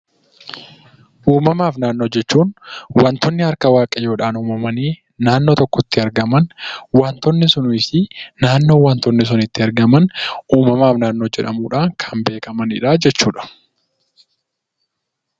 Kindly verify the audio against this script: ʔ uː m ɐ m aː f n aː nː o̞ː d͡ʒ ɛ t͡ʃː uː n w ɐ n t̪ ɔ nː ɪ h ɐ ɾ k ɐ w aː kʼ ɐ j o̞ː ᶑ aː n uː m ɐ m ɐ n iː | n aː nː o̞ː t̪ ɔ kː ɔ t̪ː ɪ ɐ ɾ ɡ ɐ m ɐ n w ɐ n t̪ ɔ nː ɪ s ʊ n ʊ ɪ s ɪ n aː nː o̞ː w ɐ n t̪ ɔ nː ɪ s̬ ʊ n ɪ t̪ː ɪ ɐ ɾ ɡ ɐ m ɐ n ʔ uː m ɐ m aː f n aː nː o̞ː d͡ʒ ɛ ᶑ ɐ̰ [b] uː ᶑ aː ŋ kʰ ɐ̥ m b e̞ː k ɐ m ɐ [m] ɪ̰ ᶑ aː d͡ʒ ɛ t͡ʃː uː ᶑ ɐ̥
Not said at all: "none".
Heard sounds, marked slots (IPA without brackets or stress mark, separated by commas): m, n